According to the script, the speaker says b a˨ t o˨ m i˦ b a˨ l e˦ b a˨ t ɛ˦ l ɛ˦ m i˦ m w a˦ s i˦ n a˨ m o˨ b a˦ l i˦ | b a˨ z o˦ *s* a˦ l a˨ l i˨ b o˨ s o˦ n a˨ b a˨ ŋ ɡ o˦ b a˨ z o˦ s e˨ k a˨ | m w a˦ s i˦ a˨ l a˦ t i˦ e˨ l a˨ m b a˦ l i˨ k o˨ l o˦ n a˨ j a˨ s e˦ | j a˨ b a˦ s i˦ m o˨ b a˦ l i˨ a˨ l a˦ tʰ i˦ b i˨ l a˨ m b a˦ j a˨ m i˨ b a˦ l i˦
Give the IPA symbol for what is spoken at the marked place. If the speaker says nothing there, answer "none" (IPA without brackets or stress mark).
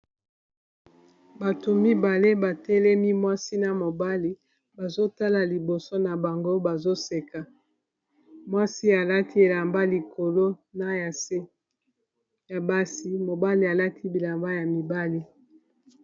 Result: t